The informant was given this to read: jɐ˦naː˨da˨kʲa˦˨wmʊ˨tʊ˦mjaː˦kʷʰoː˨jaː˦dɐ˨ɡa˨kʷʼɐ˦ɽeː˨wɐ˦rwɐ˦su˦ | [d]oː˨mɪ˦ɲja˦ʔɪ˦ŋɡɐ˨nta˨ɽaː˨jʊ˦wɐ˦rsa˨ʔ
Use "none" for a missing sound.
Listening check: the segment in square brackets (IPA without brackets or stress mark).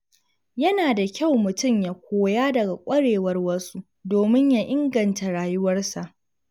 d